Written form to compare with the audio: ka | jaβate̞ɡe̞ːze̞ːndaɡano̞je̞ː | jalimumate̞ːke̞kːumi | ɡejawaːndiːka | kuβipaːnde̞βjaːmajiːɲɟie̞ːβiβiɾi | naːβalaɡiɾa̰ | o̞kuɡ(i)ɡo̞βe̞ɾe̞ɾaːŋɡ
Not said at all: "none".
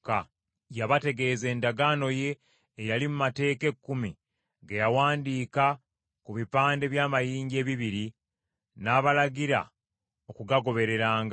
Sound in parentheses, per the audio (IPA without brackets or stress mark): a